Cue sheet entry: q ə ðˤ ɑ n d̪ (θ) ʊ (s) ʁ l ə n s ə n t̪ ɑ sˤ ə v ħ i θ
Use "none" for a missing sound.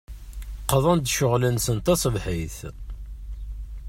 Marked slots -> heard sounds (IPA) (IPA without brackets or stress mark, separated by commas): ʃ, none